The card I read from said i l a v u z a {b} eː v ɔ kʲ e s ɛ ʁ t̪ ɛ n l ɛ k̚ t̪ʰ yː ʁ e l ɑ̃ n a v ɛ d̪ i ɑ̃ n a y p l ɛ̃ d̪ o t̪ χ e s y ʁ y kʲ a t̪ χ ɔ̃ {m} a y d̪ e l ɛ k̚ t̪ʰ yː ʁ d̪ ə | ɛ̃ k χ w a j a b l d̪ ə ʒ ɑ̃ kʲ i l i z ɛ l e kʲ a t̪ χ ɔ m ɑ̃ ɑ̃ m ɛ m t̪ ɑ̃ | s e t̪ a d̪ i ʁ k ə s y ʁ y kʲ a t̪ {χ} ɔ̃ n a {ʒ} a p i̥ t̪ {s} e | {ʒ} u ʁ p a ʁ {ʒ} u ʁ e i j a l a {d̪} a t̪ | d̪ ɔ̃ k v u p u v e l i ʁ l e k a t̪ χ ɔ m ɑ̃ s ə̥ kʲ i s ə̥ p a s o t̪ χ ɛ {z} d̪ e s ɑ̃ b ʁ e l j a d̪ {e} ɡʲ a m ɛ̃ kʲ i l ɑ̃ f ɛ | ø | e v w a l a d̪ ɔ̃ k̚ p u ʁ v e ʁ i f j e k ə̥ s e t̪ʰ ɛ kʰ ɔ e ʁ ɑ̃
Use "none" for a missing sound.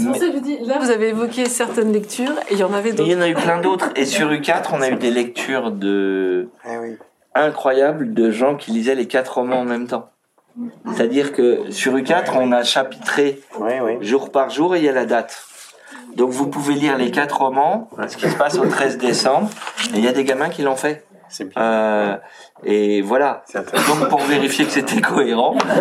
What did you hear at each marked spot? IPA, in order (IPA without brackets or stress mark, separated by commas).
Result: v, n, χ, ʃ, χ, ʒ, ʒ, d̪, z, e